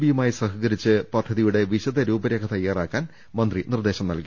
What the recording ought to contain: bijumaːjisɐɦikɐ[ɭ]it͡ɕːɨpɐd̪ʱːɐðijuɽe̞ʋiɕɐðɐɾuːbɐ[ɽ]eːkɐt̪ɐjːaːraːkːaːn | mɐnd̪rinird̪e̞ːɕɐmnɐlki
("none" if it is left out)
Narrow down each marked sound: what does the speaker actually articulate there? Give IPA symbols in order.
ɾ, ɾ

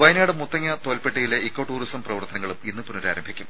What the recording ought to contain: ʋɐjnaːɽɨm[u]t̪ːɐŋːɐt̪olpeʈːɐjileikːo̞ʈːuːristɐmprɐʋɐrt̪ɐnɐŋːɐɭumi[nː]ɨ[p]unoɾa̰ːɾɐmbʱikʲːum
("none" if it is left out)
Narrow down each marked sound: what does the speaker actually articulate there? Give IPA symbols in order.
u, nː, p

